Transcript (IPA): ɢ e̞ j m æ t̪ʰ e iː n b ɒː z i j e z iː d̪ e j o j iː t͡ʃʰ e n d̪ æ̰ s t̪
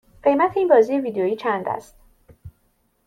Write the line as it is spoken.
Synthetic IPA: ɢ e̞ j m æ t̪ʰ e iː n b ɒː z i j e v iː d̪ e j o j iː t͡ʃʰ æ n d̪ æ̰ s t̪